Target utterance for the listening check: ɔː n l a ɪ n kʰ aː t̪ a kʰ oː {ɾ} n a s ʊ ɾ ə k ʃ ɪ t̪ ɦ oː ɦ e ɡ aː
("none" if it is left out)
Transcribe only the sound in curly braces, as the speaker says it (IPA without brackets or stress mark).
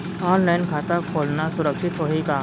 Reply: l